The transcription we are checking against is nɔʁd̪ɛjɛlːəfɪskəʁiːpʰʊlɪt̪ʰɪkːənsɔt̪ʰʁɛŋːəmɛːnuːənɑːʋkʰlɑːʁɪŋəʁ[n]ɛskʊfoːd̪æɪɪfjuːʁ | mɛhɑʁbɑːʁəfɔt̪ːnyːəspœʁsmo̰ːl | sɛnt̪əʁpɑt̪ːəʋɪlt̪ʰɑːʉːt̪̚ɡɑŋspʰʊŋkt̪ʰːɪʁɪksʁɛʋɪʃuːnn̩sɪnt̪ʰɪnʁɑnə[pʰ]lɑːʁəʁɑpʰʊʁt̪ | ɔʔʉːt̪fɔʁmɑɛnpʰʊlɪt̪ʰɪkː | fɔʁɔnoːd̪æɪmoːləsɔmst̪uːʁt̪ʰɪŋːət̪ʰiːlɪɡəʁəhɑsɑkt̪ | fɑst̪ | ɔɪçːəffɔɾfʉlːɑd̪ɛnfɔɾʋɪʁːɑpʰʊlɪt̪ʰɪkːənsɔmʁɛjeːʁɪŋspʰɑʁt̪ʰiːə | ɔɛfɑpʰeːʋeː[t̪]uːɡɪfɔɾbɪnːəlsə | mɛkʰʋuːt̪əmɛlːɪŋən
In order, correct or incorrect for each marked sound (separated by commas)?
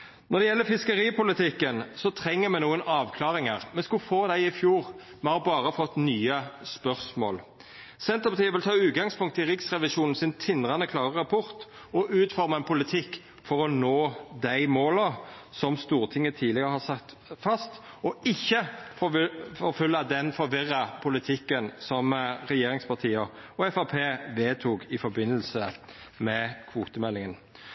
incorrect, incorrect, incorrect